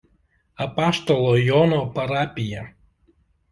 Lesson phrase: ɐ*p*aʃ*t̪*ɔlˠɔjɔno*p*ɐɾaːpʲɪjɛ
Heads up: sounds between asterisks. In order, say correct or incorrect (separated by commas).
correct, correct, correct